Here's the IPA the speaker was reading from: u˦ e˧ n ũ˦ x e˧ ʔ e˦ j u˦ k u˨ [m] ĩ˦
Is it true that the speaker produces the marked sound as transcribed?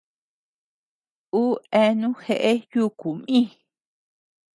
yes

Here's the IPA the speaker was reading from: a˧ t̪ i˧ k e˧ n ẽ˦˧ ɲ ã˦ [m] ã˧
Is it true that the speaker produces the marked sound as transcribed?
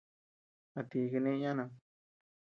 no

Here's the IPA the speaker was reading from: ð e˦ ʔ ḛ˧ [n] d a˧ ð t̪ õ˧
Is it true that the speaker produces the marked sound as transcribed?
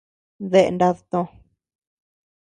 yes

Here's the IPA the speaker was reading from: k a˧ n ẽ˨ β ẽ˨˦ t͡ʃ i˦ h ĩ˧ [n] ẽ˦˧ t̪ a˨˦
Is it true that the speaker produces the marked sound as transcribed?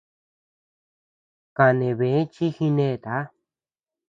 yes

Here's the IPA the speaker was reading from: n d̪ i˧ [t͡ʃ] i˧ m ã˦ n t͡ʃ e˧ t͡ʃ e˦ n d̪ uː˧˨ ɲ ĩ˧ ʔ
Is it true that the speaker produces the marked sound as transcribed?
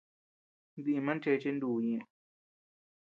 no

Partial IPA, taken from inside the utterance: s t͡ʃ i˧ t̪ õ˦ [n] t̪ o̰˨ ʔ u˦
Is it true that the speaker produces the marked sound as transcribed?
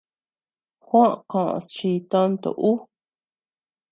yes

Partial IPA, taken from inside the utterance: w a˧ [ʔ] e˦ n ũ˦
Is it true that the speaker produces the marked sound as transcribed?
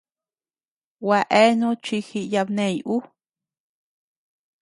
yes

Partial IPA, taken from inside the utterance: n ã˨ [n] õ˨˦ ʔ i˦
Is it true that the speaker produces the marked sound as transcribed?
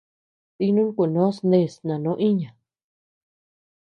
yes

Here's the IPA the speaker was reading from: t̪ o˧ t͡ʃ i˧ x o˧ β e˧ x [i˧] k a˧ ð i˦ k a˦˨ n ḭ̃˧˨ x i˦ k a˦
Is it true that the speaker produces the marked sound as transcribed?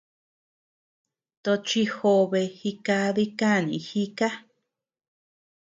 yes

